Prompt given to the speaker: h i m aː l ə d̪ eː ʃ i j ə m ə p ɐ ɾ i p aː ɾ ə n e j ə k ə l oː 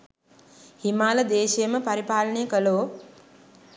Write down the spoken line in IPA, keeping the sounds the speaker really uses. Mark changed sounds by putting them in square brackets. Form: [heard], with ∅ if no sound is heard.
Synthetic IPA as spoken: h i m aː l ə d̪ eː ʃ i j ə m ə p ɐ ɾ i p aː [l] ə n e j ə k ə l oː